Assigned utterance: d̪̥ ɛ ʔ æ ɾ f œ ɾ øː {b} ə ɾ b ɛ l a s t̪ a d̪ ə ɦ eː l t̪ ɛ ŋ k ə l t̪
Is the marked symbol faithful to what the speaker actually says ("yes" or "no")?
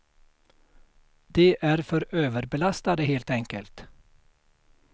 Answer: no